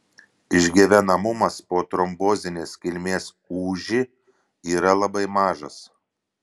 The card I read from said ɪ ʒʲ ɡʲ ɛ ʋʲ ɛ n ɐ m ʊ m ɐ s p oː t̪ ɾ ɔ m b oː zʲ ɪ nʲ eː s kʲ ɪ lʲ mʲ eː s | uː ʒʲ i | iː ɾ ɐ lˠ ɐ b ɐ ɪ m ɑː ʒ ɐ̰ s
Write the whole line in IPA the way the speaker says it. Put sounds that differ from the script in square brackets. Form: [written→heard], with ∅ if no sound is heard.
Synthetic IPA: ɪ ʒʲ ɡʲ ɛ ʋʲ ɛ n ɐ m ʊ m ɐ s p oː t̪ ɾ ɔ m b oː zʲ ɪ nʲ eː s kʲ ɪ lʲ mʲ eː s | uː ʒʲ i | iː ɾ ɐ lˠ ɐ b ɐ ɪ m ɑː ʒ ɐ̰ s